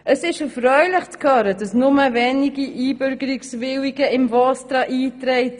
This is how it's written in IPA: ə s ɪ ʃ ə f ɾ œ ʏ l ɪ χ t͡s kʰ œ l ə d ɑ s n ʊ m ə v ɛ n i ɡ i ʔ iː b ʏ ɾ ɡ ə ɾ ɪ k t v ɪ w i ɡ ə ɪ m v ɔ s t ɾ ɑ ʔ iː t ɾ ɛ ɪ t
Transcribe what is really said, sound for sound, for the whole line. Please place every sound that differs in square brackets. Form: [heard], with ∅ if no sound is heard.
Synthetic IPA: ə s ɪ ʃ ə f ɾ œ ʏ l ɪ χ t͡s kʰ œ [ɾ] ə d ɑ s n ʊ m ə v ɛ n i ɡ i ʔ iː b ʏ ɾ ɡ ə ɾ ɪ k [s] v ɪ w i ɡ ə ɪ m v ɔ s t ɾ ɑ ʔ iː t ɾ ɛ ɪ t